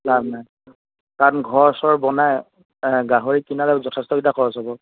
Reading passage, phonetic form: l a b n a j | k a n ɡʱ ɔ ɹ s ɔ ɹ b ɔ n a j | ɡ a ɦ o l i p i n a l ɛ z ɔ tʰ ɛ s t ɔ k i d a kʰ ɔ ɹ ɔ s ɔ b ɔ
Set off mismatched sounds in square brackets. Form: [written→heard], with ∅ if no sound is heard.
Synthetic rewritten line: l a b n a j | k a n ɡʱ ɔ ɹ s ɔ ɹ b ɔ n a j | ɡ a ɦ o [l→ɹ] i [p→k] i n a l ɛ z ɔ tʰ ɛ s t ɔ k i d a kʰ ɔ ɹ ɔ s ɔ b ɔ